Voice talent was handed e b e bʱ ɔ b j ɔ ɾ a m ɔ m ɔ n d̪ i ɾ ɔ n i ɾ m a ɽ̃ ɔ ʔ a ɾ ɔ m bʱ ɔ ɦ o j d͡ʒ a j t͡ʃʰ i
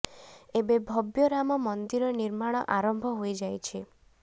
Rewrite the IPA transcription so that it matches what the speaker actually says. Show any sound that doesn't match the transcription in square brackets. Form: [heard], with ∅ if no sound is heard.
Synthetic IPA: e b e bʱ ɔ b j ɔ ɾ a m ɔ m ɔ n d̪ i ɾ ɔ n i ɾ m a ɽ̃ ɔ ʔ a ɾ ɔ m bʱ ɔ ɦ o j d͡ʒ a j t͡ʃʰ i